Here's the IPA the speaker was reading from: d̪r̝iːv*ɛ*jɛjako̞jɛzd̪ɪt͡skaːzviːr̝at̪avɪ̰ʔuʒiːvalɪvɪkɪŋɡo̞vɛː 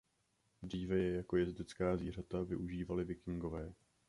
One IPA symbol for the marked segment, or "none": ɛ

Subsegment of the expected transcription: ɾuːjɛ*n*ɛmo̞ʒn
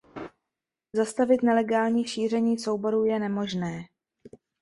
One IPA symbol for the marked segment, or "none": n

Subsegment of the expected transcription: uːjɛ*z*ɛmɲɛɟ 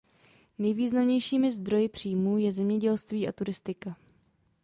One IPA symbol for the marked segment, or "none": z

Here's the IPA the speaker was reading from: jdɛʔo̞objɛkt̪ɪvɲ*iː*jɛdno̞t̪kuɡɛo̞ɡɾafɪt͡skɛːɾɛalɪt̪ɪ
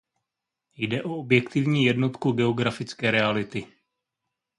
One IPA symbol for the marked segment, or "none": iː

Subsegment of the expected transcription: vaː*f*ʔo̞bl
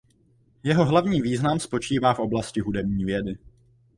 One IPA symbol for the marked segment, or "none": f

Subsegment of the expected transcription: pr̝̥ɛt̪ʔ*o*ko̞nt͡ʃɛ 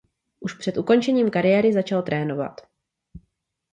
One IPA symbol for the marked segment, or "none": u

